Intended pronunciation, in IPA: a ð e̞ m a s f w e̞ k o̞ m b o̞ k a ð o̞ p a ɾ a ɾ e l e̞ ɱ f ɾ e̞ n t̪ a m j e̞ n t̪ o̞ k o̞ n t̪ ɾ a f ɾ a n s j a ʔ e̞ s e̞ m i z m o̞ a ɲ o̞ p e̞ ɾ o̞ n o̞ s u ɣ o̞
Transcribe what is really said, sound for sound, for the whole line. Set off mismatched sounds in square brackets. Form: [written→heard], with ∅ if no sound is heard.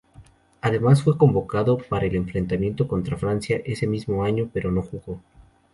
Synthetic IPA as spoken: a ð e̞ m a s f w e̞ k o̞ m b o̞ k a ð o̞ p a ɾ a [ɾ→∅] e l e̞ ɱ f ɾ e̞ n t̪ a m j e̞ n t̪ o̞ k o̞ n t̪ ɾ a f ɾ a n s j a ʔ e̞ s e̞ m i z m o̞ a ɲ o̞ p e̞ ɾ o̞ n o̞ [s→x] u ɣ o̞